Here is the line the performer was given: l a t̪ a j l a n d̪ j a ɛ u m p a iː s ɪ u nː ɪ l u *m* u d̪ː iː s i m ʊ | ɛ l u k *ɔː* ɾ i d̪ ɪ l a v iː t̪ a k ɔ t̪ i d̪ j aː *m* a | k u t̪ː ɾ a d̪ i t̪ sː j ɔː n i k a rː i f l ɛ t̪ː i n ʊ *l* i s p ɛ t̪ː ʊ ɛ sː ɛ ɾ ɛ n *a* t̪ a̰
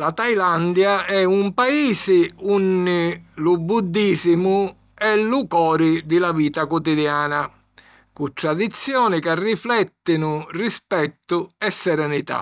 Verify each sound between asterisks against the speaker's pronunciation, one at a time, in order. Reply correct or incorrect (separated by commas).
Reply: incorrect, correct, incorrect, incorrect, incorrect